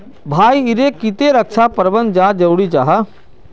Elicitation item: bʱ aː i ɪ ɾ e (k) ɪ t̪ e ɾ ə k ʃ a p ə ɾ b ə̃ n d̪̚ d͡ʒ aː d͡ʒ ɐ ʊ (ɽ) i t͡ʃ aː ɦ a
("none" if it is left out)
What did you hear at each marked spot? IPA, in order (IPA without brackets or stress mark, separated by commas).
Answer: k, ɽ